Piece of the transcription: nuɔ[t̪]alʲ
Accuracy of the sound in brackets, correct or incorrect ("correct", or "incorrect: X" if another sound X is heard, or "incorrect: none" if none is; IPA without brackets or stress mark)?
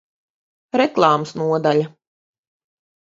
incorrect: d̪